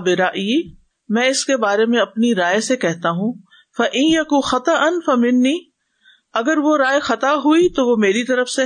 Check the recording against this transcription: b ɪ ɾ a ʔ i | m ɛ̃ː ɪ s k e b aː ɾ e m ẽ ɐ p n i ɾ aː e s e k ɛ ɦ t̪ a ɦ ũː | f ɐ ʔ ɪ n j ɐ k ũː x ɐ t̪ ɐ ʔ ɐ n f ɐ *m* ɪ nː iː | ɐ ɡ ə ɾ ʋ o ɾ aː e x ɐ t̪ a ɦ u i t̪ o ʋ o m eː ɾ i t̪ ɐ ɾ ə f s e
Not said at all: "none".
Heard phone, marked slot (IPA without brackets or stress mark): m